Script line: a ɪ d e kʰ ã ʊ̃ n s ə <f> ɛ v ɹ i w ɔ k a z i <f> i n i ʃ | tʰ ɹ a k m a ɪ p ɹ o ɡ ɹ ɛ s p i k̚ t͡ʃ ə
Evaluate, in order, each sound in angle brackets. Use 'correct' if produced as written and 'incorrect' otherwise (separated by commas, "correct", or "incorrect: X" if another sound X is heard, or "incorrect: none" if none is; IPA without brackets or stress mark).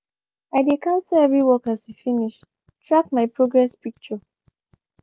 incorrect: none, correct